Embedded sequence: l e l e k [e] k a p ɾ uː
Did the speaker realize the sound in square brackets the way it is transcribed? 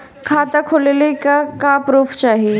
no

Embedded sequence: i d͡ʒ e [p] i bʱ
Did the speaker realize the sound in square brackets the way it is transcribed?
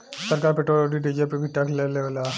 yes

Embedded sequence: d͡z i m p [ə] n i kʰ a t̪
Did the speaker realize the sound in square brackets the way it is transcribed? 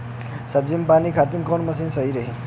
no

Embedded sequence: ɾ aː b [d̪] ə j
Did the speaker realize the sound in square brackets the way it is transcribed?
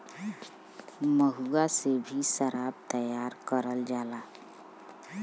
no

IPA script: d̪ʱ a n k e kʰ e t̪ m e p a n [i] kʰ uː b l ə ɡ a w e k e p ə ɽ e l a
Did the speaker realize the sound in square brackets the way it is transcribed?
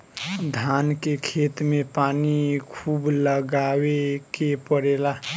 yes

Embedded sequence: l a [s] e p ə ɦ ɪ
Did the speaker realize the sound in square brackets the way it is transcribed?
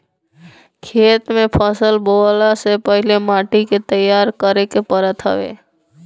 yes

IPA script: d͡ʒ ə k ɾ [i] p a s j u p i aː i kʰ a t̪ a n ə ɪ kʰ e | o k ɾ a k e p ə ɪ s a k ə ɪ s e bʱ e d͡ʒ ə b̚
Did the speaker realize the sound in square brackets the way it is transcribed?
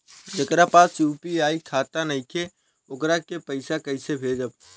no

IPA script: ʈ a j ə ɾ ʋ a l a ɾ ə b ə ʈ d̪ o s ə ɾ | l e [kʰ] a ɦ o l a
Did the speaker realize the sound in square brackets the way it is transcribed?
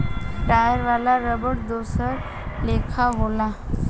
yes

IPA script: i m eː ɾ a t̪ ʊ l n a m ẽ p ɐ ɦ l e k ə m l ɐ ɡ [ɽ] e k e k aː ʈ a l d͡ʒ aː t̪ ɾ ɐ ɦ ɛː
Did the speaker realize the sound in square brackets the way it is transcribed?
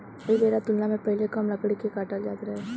yes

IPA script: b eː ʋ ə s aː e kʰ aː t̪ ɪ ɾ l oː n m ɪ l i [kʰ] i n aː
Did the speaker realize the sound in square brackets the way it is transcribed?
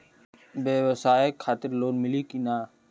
no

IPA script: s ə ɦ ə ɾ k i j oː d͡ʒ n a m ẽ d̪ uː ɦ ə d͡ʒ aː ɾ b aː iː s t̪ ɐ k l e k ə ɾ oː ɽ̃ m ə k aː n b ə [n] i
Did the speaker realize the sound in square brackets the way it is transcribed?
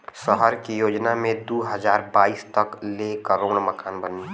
yes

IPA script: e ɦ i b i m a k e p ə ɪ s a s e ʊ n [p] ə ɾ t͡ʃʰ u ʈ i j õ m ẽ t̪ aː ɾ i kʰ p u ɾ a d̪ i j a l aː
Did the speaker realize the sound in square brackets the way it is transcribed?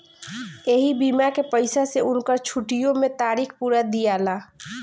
no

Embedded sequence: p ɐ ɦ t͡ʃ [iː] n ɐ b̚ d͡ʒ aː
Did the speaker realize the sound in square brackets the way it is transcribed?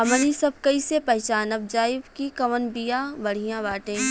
no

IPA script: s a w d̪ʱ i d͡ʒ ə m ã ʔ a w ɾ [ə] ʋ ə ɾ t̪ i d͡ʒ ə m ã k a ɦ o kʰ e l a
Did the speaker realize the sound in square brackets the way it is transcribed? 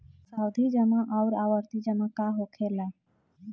no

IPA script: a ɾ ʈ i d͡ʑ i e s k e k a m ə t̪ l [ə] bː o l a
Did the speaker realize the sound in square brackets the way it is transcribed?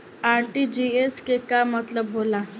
yes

